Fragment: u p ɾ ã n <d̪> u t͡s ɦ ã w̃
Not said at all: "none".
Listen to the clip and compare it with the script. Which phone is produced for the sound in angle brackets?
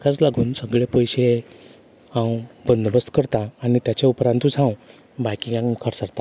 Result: t̪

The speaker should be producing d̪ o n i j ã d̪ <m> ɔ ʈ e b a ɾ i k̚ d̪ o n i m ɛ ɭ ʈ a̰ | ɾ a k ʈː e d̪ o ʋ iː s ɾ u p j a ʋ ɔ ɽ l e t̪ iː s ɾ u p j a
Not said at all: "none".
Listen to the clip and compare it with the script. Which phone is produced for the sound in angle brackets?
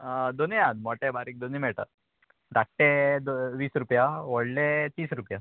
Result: m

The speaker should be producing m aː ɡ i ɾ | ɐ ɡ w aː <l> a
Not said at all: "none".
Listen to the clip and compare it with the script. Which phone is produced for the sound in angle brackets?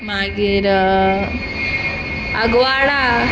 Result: ɽ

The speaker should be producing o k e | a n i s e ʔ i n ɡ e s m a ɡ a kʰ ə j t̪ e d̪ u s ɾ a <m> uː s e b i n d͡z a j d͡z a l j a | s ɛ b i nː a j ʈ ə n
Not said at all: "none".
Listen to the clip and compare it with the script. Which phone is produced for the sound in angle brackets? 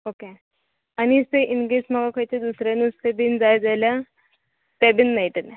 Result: n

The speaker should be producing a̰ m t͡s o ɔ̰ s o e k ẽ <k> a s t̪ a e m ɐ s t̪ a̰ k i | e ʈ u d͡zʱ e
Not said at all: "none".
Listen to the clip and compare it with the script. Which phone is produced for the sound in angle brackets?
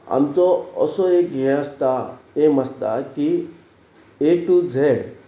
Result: none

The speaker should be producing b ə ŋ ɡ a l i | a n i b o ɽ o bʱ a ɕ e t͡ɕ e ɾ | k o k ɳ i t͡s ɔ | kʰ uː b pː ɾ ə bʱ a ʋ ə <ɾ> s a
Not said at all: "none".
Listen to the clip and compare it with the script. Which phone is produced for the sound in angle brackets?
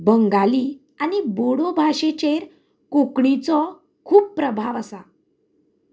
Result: none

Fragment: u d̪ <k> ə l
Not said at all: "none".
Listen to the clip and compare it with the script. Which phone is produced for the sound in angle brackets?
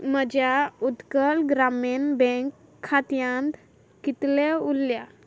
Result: k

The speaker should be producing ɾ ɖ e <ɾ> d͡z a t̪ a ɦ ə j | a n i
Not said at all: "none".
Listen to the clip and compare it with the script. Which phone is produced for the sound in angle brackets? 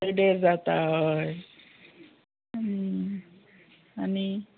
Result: ɾ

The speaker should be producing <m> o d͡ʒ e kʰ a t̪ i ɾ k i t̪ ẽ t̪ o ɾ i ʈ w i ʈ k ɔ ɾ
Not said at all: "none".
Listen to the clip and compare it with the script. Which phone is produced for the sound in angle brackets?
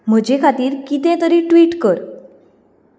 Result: m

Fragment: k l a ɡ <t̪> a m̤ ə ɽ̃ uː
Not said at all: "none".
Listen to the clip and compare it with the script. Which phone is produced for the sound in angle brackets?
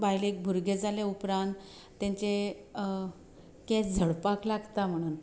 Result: t̪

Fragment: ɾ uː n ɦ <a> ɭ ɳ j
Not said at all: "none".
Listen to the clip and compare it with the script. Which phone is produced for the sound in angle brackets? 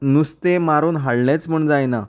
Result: a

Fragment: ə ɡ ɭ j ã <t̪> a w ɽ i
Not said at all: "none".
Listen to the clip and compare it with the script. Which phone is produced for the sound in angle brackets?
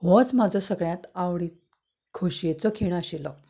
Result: t̪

